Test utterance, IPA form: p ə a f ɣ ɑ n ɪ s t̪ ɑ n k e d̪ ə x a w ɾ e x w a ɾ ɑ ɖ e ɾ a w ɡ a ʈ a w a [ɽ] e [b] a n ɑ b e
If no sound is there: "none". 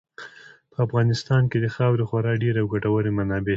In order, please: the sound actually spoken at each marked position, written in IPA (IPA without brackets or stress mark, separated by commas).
ɾ, m